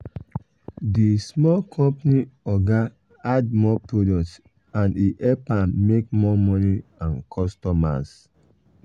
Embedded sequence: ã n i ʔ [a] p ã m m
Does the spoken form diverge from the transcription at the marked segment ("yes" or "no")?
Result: yes